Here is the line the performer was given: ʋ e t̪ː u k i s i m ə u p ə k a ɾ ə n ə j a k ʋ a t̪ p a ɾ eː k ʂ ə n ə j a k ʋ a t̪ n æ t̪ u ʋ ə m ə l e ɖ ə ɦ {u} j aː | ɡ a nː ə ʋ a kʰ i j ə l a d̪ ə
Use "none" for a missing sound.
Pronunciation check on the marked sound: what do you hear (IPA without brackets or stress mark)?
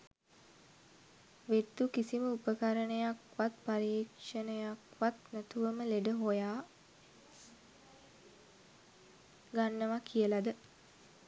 o